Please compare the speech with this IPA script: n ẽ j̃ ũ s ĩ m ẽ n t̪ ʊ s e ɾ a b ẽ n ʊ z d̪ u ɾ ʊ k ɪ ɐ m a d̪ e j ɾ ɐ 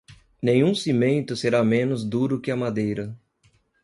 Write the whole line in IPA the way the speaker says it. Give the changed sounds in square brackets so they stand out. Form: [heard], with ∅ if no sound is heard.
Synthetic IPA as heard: n ẽ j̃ ũ s [i] m ẽ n t̪ ʊ s e ɾ a [m] ẽ n ʊ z d̪ u ɾ ʊ k ɪ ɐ m a d̪ e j ɾ ɐ